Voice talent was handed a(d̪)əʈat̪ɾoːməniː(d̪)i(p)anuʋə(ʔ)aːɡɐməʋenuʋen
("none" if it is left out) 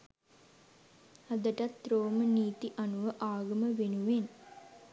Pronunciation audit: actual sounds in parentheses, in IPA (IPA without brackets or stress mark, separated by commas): d̪, t̪, ʔ, ʔ